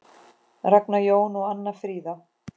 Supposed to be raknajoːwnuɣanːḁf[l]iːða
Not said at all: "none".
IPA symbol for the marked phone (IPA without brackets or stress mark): ɾ